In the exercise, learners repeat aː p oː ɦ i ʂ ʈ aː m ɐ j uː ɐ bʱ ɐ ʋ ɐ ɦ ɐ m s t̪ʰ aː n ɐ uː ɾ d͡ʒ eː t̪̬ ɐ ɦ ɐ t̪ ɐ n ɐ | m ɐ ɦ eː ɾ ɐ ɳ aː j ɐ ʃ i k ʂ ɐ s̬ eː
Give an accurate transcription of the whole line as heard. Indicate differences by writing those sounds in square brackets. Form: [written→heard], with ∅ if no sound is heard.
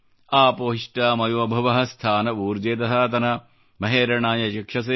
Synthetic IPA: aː p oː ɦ i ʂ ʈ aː m ɐ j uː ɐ bʱ ɐ ʋ ɐ ɦ ɐ [m→∅] s t̪ʰ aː n ɐ uː ɾ d͡ʒ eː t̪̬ ɐ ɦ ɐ t̪ ɐ n ɐ | m ɐ ɦ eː ɾ ɐ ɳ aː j ɐ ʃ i k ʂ ɐ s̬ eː